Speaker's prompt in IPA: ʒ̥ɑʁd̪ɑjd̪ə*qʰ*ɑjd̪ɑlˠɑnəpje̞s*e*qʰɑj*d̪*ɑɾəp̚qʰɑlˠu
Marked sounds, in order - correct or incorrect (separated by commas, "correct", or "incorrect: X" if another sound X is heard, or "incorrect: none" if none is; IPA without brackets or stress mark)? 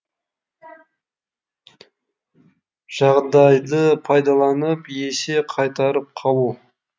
incorrect: pʰ, correct, incorrect: t̪